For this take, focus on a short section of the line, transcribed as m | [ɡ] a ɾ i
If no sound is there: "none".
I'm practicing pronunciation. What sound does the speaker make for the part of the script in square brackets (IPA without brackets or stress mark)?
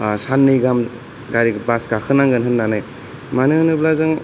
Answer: ɡ